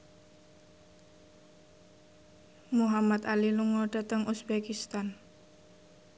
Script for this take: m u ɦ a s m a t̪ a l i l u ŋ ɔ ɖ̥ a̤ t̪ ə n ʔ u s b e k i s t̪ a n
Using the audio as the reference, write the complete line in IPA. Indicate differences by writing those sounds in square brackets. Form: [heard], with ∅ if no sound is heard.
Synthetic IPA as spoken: m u ɦ a [∅] m a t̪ a l i l u ŋ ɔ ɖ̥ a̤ t̪ ə [ŋ] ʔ u s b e k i s t̪ a n